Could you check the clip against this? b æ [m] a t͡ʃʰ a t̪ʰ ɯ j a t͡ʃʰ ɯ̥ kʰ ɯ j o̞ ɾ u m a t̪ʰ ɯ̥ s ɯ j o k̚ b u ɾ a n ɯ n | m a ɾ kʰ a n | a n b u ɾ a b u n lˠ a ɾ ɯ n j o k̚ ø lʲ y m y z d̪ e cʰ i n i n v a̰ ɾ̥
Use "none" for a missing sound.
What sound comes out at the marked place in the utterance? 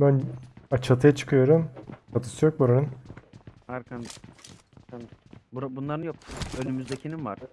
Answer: n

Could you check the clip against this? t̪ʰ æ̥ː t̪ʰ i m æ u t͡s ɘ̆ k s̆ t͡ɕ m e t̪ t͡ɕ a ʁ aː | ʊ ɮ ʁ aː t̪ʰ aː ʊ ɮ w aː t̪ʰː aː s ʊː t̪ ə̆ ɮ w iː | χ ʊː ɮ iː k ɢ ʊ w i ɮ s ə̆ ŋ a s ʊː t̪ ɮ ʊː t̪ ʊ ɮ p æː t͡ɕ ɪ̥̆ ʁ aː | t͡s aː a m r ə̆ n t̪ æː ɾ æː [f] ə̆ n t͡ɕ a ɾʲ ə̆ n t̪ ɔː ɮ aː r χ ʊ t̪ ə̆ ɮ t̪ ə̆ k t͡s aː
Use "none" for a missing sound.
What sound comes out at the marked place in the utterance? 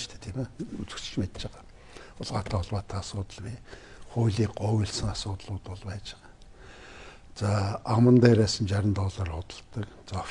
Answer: s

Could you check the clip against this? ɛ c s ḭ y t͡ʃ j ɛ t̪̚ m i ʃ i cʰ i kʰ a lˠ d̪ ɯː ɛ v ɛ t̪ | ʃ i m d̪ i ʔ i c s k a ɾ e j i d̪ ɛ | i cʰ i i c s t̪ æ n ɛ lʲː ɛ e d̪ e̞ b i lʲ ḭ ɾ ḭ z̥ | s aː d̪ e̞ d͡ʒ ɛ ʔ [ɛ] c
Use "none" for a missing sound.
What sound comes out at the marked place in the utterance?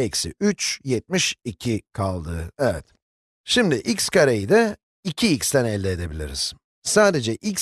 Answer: i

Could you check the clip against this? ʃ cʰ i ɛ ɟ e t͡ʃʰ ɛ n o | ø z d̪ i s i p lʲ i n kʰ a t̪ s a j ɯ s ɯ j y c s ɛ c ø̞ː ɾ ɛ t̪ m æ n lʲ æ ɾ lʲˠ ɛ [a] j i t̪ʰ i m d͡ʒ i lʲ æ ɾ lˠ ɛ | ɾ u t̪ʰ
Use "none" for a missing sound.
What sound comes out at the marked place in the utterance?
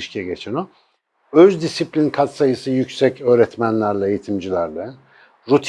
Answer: e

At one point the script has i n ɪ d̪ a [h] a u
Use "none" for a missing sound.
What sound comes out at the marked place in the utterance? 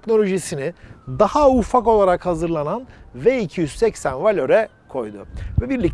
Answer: h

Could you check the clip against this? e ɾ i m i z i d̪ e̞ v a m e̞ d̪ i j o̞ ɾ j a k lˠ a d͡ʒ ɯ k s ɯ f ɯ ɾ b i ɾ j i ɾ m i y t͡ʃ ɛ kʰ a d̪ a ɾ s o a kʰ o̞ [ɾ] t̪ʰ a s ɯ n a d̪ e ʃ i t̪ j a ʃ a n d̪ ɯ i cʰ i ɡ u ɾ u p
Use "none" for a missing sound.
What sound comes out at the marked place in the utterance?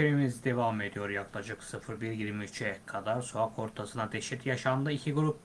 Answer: ɾ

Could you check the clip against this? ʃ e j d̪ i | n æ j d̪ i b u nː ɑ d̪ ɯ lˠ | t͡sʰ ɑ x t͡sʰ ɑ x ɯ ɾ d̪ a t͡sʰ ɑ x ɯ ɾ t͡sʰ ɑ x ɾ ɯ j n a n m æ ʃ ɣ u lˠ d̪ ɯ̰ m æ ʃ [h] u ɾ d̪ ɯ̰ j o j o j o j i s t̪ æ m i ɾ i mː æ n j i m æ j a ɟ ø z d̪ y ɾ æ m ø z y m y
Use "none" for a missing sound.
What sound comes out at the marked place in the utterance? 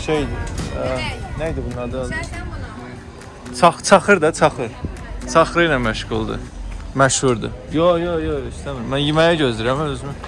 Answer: h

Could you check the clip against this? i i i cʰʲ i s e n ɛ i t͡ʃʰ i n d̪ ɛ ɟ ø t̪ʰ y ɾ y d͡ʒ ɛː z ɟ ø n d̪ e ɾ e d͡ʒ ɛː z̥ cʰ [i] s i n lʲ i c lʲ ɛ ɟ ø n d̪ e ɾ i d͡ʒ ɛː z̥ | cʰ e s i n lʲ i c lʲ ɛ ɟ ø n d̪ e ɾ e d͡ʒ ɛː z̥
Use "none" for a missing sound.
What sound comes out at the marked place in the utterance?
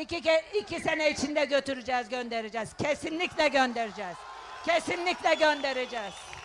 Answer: e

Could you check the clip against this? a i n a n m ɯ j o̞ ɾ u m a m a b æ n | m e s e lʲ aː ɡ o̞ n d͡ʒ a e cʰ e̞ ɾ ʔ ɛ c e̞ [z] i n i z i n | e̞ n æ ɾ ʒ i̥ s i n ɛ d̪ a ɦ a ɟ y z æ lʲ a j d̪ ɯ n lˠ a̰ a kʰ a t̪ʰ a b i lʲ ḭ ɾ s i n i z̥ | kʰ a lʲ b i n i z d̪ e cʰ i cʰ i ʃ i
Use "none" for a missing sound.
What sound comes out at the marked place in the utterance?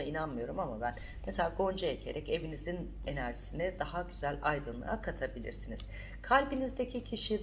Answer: v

